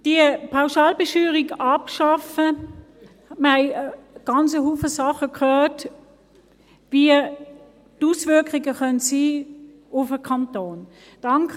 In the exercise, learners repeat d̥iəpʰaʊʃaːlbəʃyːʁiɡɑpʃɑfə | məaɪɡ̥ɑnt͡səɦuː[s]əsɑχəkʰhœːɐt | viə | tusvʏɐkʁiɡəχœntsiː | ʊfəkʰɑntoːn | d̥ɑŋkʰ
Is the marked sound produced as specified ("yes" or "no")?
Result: no